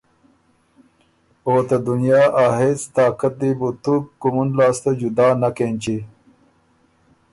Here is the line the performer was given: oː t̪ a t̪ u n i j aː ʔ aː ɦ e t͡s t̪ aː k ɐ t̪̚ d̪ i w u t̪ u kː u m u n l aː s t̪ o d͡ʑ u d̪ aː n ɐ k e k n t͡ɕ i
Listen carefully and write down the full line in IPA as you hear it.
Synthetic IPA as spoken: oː t̪ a d̪ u n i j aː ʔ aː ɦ e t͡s t̪ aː k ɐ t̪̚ d̪ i b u t̪ u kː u m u n l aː s t̪ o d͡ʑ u d̪ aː n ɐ k e n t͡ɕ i